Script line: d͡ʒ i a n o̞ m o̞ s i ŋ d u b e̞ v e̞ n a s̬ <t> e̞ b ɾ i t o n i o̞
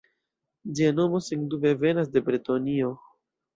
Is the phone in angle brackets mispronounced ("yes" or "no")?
yes